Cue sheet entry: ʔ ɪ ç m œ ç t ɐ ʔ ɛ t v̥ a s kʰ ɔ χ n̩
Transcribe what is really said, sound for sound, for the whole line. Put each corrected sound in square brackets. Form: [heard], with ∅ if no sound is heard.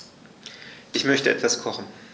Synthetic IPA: ʔ ɪ ç m œ ç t [ə] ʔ ɛ t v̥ a s kʰ ɔ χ n̩